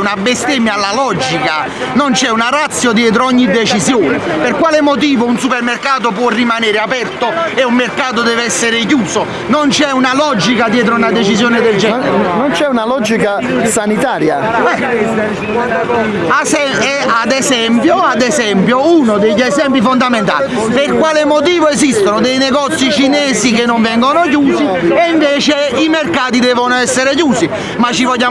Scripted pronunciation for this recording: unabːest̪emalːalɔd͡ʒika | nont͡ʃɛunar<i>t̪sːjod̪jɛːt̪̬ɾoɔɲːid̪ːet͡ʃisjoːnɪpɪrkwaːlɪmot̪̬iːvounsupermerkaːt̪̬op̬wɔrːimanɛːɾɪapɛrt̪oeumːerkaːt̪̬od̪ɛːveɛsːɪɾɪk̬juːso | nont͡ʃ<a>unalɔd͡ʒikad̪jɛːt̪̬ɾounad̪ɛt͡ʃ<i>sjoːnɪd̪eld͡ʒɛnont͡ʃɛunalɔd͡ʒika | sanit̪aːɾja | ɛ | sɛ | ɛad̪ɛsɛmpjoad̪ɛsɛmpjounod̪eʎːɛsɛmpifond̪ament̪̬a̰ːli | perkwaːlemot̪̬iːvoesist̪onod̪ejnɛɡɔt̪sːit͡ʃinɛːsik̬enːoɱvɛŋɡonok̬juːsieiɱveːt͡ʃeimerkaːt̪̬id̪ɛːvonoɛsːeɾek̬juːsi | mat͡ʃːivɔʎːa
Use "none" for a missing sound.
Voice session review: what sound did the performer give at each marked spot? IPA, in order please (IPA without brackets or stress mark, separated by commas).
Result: a, ɛ, i